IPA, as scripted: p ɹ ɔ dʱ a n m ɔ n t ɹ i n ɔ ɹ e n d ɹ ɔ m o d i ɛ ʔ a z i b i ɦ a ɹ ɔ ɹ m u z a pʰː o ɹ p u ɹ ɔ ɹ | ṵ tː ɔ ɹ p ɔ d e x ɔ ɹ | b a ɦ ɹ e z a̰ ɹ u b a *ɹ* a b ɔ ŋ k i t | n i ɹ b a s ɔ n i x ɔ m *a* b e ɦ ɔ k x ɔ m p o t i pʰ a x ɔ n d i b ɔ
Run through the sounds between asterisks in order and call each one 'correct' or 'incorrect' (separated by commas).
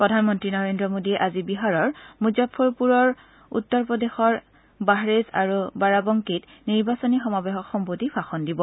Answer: correct, correct